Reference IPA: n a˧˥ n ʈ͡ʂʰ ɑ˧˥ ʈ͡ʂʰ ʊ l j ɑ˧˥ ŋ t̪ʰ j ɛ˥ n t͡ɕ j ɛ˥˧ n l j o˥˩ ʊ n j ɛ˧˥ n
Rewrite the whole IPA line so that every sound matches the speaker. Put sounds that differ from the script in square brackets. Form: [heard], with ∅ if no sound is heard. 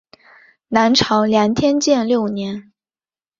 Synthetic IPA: n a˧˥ n ʈ͡ʂʰ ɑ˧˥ [∅] ʊ l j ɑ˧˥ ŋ t̪ʰ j ɛ˥ n t͡ɕ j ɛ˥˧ n l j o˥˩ ʊ n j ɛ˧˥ n